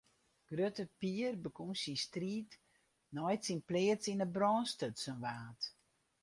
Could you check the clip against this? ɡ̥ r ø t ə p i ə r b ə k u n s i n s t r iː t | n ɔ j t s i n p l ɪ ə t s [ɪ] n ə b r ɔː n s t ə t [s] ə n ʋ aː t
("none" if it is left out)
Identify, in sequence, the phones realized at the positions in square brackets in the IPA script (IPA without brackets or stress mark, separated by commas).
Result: i, s